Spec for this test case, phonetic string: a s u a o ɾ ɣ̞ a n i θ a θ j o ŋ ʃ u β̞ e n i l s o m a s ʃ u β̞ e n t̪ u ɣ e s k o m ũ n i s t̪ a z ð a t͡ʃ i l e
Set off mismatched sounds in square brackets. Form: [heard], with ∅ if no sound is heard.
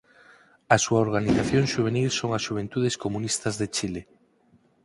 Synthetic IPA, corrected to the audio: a s u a o ɾ ɣ̞ a n i θ a θ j o ŋ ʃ u β̞ e n i l s o [ŋ] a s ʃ u β̞ e n t̪ u [ð] e s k o m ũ n i s t̪ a z ð [e] t͡ʃ i l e